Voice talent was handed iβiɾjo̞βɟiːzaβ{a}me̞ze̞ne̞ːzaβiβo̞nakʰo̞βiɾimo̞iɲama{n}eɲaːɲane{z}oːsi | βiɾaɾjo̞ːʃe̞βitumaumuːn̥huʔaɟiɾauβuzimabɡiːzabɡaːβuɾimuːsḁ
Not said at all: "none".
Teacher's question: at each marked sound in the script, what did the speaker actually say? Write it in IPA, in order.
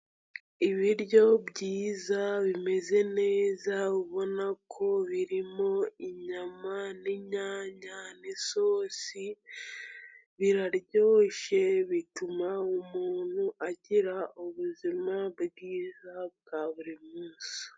i, n, s

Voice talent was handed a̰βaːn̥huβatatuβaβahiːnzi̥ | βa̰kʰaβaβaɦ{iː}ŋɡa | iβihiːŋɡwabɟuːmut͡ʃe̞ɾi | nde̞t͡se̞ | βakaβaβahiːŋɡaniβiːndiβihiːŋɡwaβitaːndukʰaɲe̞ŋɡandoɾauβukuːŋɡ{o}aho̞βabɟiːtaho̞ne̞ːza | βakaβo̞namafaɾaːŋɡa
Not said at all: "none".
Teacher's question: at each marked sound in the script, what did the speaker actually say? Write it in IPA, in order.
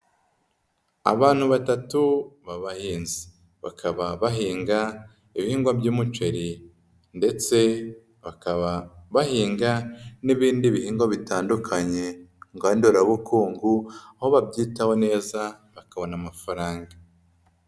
iː, u

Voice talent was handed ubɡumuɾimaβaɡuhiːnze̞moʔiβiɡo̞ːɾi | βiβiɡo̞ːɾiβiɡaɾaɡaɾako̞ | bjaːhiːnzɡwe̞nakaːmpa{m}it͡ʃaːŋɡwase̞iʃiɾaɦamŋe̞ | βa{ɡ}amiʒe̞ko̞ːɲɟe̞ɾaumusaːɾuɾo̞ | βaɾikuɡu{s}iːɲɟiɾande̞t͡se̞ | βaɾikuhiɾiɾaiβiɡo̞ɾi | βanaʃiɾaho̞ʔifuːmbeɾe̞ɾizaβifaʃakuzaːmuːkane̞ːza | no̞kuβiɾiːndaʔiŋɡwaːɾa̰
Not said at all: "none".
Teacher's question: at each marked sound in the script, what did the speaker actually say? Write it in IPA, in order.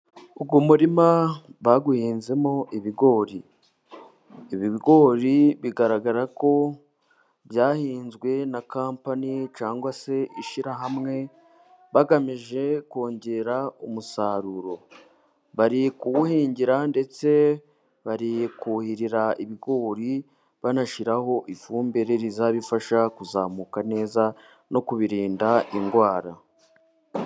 n, ɡ, h

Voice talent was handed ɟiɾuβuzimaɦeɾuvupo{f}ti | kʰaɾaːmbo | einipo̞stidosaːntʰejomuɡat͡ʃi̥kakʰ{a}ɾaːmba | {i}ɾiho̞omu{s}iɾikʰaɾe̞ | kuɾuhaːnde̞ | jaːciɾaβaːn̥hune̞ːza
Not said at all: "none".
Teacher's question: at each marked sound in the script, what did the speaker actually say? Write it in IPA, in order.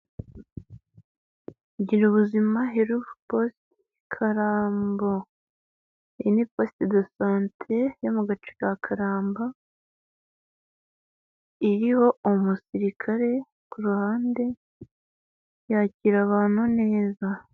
s, a, i, s

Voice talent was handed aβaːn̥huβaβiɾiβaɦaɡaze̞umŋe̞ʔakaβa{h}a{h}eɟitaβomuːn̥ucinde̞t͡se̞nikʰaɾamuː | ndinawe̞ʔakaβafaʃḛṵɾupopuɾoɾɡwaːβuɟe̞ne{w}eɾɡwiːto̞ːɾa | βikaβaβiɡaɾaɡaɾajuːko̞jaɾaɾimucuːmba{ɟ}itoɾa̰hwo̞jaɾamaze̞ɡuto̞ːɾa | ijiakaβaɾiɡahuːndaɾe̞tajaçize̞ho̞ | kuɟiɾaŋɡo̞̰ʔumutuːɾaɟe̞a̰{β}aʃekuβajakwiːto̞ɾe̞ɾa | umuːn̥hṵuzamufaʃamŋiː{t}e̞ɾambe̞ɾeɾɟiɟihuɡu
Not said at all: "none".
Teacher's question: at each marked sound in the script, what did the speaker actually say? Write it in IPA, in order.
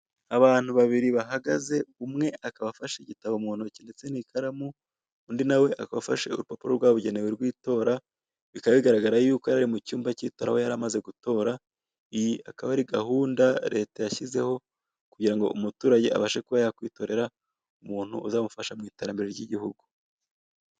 f, ʃ, w, c, β, t

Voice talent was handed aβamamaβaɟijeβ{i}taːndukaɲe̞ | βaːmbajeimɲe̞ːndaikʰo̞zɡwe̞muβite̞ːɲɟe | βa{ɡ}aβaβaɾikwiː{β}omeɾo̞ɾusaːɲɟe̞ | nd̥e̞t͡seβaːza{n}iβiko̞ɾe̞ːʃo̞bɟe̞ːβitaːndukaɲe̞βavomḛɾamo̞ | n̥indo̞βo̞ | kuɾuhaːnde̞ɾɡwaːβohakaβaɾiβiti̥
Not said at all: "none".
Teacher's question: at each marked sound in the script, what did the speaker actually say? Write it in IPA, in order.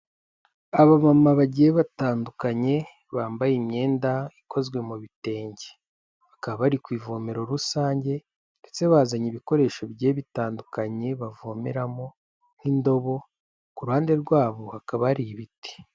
a, k, v, ɲ

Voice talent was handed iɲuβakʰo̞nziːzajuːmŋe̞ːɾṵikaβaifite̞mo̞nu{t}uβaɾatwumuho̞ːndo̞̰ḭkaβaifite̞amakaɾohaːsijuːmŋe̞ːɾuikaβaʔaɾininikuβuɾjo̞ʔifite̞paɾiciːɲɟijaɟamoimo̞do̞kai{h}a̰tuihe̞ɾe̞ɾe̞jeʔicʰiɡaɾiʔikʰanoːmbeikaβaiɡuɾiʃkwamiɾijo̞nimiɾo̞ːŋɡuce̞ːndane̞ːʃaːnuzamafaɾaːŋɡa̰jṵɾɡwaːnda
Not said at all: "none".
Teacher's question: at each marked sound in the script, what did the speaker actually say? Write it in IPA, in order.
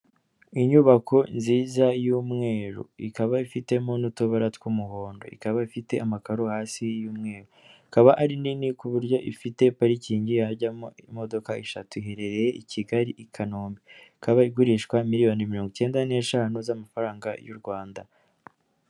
t, ʃ

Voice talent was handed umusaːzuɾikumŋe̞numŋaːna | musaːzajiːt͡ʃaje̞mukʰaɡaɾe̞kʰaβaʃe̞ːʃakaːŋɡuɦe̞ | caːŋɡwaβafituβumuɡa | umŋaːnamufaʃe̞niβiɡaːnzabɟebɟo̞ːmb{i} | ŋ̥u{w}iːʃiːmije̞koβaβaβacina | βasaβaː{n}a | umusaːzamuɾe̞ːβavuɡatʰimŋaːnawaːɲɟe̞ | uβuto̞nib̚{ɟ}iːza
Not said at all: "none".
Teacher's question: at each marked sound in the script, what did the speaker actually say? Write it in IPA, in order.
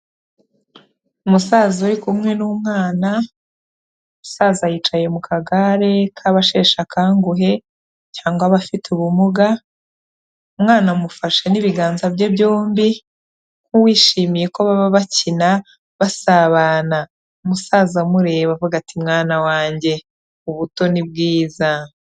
i, w, n, ɡ

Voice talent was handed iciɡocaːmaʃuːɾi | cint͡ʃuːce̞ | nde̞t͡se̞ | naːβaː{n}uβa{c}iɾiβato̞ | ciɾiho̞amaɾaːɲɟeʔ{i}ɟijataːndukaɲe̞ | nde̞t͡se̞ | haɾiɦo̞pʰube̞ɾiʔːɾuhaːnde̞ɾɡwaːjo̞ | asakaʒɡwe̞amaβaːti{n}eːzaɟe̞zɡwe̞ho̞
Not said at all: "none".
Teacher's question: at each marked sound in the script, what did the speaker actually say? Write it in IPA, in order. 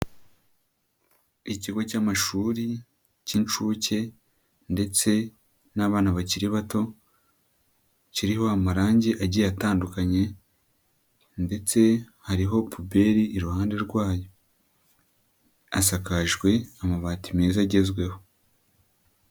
n, c, a, m

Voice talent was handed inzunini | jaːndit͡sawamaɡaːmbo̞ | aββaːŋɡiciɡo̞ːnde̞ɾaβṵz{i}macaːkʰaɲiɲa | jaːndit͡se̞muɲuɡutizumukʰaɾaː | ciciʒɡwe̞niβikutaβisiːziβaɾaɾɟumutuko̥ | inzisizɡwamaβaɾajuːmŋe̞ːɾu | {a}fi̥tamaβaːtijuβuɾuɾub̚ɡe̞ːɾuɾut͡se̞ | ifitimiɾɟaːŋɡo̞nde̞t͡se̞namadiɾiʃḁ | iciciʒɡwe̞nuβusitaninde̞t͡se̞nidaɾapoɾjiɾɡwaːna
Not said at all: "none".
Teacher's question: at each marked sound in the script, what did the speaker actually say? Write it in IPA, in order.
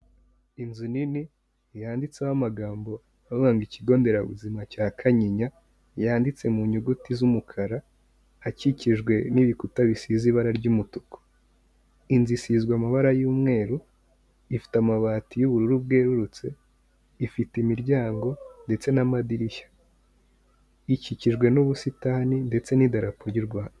i, i

